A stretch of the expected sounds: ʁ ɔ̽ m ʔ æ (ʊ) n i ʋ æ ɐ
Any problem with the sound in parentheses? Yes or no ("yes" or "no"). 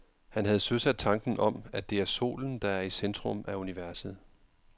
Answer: yes